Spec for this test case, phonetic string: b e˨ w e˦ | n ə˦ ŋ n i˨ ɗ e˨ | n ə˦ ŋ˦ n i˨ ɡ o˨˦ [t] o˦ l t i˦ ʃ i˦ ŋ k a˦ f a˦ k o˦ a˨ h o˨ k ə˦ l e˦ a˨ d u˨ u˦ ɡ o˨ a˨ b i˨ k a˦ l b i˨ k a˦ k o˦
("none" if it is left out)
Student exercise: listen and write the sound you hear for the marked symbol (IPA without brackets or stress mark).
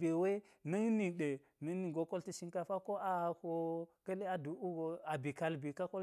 k